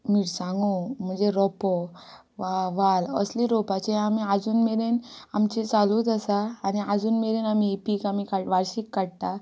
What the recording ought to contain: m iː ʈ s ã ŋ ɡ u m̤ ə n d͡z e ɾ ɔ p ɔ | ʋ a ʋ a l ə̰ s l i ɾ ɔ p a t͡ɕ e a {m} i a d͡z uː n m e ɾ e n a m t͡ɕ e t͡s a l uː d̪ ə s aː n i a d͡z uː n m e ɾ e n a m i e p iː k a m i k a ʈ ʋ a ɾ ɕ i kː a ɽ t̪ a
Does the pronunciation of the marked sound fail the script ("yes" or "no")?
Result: no